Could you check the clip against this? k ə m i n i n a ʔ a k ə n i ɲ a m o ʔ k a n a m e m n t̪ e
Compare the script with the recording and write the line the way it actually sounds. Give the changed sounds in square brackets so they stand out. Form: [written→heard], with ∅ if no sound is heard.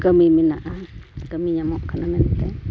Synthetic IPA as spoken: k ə m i [n→m] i n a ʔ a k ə [n→m] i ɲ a m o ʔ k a n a m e [m→∅] n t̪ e